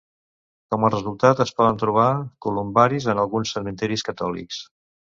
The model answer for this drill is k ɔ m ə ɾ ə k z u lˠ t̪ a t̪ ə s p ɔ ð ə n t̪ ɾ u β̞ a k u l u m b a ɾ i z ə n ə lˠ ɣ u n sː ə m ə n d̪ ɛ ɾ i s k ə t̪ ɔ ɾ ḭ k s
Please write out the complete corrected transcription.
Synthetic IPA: k ɔ m ə r ə z u lˠ t̪ a t̪ ə s p ɔ ð ə n t̪ ɾ u β̞ a k u l u m b a ɾ i z ə n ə lˠ ɣ u n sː ə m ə n t̪ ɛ ɾ i s k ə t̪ ɔ l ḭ k s